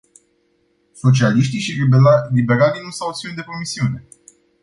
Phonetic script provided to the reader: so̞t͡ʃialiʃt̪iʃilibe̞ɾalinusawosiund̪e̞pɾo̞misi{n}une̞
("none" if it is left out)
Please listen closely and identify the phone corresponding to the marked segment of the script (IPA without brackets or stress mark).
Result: none